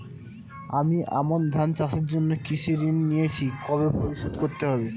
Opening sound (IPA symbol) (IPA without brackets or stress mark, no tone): a